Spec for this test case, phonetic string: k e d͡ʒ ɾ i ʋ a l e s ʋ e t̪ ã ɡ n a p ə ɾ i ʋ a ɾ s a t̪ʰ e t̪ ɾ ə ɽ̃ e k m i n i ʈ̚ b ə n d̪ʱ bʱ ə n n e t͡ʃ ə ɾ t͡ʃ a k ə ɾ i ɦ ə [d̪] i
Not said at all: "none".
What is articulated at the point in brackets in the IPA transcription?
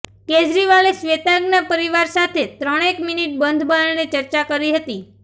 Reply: t̪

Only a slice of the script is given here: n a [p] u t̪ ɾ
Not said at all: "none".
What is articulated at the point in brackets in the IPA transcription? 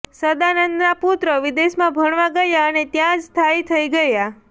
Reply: p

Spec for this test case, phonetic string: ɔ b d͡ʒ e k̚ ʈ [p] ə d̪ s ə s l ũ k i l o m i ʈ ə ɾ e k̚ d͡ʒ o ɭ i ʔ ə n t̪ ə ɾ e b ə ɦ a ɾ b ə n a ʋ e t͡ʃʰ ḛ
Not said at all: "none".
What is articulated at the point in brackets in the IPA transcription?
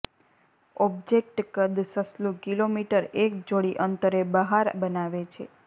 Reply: k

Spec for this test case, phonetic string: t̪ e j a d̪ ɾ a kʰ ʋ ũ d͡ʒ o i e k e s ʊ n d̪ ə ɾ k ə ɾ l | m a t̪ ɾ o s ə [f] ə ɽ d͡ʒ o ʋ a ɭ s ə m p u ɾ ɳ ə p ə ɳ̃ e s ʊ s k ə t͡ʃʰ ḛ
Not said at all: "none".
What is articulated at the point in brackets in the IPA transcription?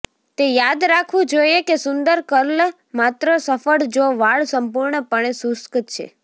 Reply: f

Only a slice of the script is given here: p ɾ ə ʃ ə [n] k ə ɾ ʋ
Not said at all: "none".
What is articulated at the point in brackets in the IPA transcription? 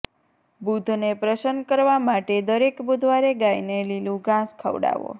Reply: n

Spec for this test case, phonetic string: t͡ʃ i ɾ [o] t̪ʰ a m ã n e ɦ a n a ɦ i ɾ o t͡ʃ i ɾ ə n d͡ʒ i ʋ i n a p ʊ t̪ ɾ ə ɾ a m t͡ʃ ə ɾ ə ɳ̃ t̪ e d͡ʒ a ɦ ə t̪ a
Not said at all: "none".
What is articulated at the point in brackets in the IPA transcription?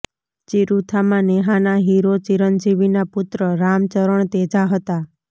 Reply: u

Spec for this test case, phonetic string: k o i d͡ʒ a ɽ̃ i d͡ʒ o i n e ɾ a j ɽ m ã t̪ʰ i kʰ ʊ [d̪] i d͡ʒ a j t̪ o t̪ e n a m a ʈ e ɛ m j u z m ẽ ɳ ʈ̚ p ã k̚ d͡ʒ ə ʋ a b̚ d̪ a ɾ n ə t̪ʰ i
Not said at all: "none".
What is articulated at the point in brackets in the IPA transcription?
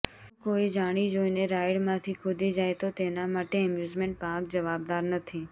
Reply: d̪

